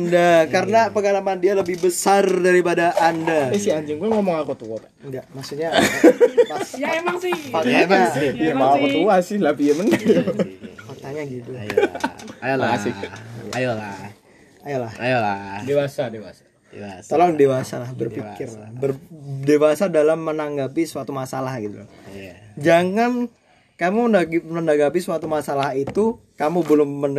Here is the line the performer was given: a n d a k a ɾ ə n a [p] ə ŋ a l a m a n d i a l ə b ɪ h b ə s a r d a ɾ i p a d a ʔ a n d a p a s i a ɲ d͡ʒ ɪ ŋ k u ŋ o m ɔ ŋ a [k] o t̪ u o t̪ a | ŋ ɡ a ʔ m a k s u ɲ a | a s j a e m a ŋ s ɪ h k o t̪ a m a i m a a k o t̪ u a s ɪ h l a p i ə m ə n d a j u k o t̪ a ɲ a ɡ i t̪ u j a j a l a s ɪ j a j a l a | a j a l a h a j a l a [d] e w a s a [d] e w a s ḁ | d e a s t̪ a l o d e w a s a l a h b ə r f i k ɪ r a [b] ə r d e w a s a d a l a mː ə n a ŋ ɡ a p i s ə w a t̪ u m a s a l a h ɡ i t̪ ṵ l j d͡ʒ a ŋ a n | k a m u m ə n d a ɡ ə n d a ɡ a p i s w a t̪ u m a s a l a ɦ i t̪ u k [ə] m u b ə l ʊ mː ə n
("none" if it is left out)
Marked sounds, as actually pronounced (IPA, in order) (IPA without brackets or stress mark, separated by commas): p, k, d, d, b, a